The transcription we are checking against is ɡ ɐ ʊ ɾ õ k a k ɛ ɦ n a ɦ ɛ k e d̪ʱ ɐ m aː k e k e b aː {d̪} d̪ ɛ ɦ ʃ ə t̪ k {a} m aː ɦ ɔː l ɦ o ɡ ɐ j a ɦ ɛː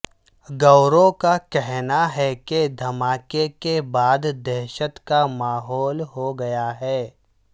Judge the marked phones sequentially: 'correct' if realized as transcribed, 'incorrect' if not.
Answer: correct, correct

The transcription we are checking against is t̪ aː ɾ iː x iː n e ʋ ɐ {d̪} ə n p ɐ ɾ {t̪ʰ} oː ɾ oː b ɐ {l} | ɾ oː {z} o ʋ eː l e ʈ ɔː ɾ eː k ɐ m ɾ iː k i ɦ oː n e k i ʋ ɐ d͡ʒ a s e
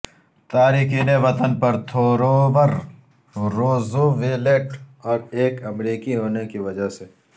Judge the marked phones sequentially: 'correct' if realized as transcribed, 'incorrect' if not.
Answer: incorrect: t̪, correct, incorrect: ɾ, correct

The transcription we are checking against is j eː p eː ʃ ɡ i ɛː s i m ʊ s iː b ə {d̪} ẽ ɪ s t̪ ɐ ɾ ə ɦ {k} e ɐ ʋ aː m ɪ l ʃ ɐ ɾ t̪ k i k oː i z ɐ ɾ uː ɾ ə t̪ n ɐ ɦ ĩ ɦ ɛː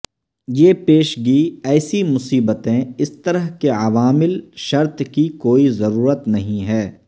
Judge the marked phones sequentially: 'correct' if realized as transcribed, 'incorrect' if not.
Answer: incorrect: t̪, correct

